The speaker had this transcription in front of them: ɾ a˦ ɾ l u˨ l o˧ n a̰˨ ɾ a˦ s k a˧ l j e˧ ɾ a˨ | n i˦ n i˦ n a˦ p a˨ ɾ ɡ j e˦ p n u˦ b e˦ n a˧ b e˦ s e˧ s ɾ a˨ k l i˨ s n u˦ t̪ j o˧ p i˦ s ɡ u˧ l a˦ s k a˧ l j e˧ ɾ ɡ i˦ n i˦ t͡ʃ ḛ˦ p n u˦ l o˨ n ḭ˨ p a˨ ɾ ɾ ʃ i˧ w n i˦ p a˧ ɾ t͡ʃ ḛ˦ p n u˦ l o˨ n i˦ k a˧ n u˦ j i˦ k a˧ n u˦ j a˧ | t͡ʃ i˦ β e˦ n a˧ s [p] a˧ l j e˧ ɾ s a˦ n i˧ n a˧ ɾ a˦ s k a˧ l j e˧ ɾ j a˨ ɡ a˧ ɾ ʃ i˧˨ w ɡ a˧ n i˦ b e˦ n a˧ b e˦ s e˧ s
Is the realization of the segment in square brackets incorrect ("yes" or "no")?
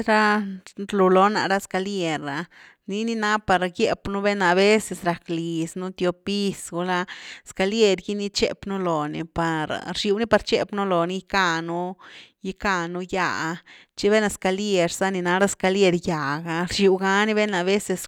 yes